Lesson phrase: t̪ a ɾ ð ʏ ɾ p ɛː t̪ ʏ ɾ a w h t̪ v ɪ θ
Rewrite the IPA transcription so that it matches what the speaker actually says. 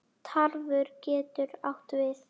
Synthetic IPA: t̪ʰ a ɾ v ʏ ɾ c ɛː t̪ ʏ ɾ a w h t̪ v ɪ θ